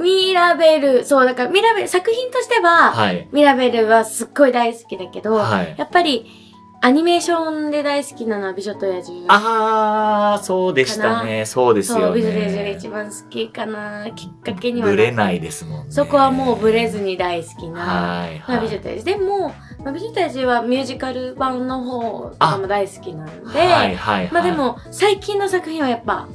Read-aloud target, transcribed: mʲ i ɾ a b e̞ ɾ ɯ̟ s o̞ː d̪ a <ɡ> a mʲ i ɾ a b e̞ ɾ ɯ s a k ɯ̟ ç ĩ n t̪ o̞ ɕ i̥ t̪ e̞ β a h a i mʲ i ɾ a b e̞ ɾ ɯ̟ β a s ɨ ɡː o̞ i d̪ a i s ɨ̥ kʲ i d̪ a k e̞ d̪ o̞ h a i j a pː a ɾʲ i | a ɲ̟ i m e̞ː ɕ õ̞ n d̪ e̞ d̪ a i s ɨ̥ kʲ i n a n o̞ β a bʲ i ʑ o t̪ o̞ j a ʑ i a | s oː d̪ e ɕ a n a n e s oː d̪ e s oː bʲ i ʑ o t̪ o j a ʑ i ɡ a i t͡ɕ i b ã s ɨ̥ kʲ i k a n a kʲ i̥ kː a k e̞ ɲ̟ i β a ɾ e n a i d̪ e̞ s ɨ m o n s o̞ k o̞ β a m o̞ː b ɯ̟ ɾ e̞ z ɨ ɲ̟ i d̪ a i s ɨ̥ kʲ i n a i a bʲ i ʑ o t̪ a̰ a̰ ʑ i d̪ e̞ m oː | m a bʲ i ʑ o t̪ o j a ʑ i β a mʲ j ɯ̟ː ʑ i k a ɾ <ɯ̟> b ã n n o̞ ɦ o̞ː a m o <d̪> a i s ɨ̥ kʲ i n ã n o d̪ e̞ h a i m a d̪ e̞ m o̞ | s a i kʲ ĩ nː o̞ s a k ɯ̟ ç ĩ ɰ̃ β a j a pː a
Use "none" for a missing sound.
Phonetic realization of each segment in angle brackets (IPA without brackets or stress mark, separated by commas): k, ɯ̟, d̪